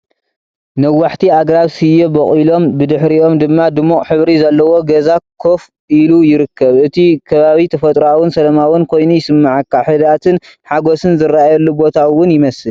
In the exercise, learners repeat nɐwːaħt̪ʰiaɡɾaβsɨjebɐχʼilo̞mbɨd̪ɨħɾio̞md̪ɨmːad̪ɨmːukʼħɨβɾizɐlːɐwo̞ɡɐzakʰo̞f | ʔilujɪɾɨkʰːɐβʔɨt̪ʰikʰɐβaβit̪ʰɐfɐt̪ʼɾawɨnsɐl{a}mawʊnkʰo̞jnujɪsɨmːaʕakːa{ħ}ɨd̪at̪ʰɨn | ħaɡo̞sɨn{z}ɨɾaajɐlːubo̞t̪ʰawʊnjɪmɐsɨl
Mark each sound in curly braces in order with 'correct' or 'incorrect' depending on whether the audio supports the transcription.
incorrect: ɐ, correct, correct

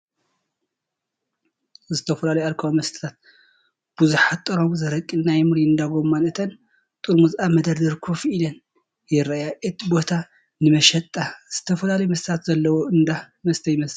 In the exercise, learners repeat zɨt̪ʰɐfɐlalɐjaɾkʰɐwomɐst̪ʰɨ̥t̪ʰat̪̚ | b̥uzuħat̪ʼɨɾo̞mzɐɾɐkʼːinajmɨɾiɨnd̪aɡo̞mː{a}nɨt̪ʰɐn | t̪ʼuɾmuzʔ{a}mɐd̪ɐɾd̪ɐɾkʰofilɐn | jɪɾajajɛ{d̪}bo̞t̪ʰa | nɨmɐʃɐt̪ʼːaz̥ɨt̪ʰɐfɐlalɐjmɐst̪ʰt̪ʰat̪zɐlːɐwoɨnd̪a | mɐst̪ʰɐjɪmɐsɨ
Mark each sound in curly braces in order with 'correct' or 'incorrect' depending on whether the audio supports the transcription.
correct, correct, incorrect: t̪

